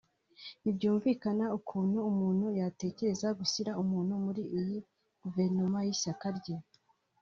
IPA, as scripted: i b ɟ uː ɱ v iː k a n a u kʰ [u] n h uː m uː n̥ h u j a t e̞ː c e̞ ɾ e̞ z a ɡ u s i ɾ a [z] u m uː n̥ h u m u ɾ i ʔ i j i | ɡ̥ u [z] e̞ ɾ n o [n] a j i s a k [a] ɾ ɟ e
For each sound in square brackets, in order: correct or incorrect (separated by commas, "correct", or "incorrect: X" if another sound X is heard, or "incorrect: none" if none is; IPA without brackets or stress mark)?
incorrect: uː, incorrect: none, incorrect: v, incorrect: m, correct